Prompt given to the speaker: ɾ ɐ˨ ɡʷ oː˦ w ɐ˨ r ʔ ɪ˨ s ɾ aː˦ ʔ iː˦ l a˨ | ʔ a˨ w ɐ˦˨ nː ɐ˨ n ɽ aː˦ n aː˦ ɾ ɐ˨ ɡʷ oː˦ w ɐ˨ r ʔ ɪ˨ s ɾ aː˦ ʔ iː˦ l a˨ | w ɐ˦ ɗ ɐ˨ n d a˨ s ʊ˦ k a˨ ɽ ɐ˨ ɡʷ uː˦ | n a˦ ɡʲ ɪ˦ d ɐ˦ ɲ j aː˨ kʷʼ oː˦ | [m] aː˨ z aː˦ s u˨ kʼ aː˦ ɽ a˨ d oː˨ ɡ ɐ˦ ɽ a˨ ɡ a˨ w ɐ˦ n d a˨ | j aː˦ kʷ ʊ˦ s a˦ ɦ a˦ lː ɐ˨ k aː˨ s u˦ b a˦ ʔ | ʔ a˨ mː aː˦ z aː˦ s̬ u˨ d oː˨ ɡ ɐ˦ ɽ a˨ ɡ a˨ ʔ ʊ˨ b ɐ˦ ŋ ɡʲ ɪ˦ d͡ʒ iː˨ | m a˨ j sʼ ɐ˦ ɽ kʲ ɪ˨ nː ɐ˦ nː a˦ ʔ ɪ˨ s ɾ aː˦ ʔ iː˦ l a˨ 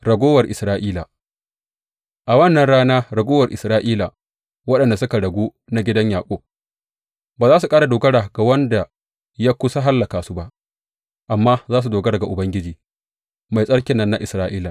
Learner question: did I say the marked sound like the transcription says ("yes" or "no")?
no